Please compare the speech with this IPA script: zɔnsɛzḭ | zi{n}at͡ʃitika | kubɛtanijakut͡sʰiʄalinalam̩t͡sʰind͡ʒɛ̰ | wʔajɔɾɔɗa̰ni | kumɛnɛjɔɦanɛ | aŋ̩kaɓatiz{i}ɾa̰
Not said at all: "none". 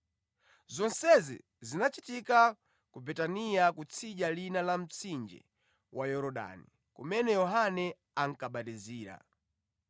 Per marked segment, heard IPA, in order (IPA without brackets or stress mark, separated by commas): n, iː